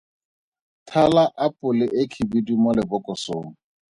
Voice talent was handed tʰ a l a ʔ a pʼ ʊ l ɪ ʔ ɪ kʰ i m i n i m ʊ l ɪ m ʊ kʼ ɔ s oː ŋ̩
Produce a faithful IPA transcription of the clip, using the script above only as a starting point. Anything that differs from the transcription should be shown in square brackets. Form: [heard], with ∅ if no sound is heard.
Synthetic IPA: tʰ a l a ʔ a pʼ ʊ l ɪ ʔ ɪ kʰ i [b] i [d] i m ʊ l ɪ [b] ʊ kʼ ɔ s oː ŋ̩